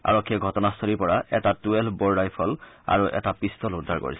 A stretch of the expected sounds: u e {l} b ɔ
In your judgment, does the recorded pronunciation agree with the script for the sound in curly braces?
yes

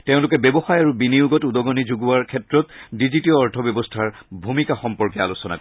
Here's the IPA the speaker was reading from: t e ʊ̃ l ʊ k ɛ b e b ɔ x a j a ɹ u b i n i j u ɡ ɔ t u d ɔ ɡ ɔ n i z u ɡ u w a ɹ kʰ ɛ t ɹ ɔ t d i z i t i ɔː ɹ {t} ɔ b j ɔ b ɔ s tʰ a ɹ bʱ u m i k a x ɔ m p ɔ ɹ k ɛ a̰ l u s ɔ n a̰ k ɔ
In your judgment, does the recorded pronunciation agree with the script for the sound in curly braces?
no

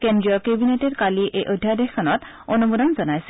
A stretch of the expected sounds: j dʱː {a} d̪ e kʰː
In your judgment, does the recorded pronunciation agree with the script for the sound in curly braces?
yes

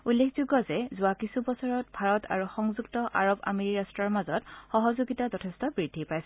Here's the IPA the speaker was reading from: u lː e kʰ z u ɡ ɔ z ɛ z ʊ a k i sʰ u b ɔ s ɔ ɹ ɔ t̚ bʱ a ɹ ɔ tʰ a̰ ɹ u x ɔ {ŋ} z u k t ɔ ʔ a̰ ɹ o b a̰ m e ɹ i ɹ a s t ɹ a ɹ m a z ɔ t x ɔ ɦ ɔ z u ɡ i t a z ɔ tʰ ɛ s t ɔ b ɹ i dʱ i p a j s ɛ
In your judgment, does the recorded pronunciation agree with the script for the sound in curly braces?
yes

